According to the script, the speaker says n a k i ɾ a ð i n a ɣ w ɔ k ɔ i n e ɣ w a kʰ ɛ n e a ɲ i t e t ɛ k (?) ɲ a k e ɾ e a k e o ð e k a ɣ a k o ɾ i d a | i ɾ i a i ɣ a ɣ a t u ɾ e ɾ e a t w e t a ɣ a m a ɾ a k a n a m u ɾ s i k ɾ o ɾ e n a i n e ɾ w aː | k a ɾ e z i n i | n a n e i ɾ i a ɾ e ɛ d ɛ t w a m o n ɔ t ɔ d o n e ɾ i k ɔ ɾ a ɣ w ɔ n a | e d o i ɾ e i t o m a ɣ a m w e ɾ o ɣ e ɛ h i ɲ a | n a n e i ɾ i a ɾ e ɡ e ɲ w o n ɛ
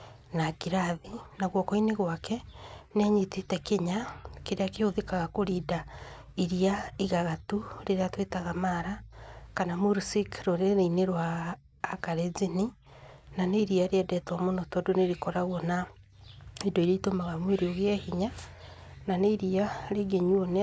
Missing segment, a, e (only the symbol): e